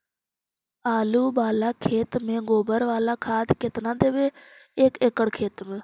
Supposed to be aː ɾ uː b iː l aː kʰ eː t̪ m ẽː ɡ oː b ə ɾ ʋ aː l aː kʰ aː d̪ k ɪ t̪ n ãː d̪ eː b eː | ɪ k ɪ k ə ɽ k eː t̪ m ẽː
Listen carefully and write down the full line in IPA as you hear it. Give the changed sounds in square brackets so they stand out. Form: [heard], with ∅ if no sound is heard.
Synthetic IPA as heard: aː [l] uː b [aː] l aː kʰ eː t̪ m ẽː ɡ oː b ə ɾ ʋ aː l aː kʰ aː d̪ k ɪ t̪ n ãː d̪ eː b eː | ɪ k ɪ k ə ɽ [kʰ] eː t̪ m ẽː